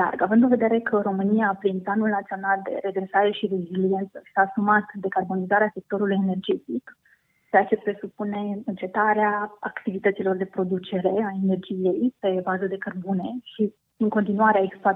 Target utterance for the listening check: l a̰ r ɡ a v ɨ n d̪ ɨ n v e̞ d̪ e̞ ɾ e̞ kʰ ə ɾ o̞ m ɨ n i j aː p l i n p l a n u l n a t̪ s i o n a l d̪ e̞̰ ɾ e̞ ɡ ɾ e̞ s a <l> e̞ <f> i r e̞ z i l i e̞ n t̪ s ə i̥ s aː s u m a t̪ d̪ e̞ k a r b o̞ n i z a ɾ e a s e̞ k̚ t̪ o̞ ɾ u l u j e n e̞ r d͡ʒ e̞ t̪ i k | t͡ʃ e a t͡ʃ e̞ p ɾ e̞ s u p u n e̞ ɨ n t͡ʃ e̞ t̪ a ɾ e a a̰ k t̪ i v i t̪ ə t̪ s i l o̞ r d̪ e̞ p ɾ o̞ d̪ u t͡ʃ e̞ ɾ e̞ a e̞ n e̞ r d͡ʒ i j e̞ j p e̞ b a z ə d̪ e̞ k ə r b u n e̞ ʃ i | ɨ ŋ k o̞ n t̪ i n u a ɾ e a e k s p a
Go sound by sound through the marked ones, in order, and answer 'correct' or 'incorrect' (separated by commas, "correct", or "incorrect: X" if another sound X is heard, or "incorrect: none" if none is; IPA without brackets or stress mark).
incorrect: ɾ, incorrect: ʃ